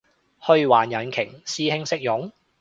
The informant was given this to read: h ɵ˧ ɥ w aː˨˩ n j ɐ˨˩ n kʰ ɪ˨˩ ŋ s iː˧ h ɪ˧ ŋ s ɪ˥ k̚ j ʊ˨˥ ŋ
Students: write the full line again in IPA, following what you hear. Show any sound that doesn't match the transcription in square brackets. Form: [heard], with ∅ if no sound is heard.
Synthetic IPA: h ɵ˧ ɥ w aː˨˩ n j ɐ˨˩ n kʰ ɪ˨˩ ŋ s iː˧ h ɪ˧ ŋ s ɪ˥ k̚ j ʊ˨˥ ŋ